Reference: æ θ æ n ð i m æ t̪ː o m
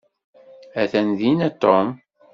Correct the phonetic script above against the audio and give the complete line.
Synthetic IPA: æ θ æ n ð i n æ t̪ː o m

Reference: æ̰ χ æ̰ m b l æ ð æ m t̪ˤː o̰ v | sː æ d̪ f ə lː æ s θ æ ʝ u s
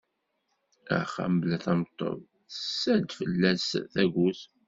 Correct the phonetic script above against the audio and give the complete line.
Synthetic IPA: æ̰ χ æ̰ m b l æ θ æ m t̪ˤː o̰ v | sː æ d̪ f ə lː æ s θ æ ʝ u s

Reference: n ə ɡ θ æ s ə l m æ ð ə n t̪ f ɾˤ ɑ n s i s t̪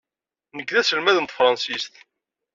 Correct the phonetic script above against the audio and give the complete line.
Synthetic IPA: n ə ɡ ð æ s ə l m æ ð ə n t̪ f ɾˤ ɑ n s i s t̪

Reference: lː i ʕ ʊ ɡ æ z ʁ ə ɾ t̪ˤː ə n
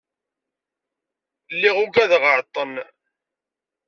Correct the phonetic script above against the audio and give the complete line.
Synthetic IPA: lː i ʁ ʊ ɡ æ ð ʁ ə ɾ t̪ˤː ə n

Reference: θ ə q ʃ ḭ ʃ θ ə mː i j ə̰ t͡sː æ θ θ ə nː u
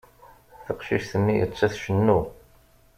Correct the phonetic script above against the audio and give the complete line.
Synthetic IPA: θ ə q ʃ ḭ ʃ θ ə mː i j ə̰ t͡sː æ θ ʃ ə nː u

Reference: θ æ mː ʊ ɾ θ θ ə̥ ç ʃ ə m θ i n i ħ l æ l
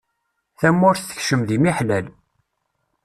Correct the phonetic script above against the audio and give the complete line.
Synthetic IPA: θ æ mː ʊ ɾ θ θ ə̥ ç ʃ ə m ð i m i ħ l æ l

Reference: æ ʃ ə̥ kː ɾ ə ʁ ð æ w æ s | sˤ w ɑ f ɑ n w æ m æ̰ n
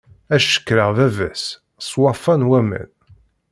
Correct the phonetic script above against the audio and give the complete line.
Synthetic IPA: æ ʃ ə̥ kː ɾ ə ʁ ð æ v æ s | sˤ w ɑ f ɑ n w æ m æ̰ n

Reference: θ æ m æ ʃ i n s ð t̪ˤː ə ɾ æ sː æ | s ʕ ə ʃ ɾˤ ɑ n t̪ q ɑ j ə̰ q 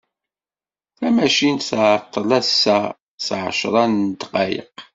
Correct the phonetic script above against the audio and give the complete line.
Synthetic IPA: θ æ m æ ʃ i n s ʕ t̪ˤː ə l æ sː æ | s ʕ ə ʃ ɾˤ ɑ n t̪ q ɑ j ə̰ q

